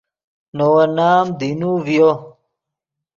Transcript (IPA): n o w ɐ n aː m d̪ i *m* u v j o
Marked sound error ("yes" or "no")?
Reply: yes